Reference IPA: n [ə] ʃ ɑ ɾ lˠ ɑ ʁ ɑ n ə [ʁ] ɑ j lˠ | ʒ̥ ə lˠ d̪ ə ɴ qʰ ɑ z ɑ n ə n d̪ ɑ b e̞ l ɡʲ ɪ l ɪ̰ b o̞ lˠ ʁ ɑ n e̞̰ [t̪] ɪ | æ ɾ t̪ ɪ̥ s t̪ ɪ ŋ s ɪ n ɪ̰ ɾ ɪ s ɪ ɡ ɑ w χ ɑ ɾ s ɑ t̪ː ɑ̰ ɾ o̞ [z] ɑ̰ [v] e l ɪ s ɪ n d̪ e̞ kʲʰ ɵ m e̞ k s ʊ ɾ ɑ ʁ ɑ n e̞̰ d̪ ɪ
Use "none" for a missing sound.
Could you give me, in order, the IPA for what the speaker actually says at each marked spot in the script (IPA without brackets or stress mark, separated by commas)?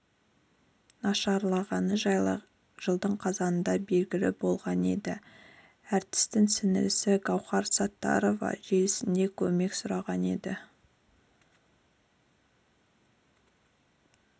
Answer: ɑ, ʒ, d̪, v, ʒ